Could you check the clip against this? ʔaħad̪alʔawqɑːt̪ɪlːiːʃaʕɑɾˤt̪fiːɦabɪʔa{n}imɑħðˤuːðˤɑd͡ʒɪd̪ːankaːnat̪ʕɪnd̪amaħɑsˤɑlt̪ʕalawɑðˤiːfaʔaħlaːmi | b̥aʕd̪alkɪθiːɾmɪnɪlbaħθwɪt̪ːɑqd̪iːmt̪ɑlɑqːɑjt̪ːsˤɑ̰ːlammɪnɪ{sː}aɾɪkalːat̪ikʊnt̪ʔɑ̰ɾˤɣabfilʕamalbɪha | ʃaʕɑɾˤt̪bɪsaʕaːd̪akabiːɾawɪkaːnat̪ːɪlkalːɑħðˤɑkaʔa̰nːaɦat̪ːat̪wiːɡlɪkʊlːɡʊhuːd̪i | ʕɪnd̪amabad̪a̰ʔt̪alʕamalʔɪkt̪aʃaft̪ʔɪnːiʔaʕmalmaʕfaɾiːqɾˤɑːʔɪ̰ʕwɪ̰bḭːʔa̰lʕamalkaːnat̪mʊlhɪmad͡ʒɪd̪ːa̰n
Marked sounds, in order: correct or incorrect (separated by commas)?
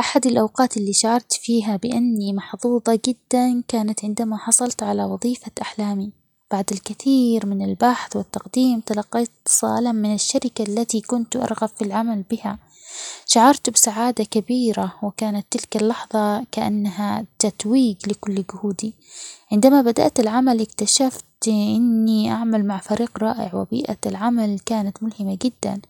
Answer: incorrect, incorrect